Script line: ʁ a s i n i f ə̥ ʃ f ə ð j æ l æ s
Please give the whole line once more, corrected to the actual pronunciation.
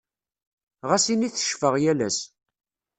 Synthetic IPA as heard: ʁ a s i n i θ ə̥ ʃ f ə ʁ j æ l æ s